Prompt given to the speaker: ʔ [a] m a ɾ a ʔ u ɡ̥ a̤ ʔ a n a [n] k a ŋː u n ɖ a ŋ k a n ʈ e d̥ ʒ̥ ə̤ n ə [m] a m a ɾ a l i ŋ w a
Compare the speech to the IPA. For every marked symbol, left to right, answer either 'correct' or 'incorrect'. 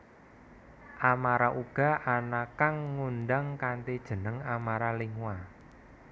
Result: correct, incorrect, incorrect

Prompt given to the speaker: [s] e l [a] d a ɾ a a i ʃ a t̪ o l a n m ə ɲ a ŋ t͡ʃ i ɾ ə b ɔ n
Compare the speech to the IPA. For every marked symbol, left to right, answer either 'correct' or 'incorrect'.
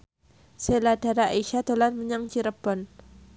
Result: correct, correct

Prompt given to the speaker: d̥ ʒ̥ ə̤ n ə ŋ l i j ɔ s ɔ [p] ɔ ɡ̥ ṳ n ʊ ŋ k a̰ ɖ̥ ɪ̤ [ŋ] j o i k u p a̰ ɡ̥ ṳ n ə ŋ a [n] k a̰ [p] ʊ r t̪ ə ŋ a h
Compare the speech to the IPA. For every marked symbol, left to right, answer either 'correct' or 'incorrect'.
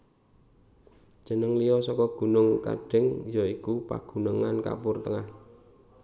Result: incorrect, correct, correct, correct

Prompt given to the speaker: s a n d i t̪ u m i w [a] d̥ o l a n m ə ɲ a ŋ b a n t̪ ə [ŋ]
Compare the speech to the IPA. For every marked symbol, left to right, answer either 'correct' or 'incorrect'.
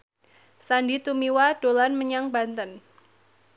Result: correct, incorrect

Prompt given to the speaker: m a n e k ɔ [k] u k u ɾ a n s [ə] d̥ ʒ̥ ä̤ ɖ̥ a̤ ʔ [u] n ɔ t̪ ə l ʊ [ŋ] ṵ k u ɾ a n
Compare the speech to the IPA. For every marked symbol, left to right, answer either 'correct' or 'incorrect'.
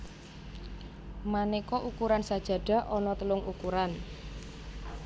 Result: incorrect, incorrect, incorrect, correct

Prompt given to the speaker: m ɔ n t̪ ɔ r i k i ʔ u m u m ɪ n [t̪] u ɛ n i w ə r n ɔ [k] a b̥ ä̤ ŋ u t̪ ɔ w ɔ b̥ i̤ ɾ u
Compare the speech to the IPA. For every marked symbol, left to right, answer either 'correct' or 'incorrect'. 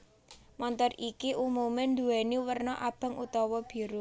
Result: incorrect, incorrect

